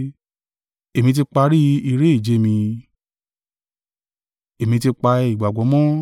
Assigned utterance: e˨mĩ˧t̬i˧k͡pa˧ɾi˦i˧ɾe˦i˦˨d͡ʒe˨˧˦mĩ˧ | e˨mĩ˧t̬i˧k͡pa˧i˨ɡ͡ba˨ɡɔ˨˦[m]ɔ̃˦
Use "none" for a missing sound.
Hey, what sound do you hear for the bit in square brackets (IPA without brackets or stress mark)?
m